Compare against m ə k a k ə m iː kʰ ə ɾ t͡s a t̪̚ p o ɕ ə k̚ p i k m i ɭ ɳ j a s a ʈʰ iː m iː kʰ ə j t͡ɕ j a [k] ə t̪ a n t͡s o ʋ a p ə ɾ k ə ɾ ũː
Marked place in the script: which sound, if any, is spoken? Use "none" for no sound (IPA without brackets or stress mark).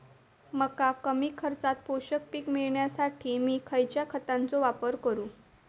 kʰ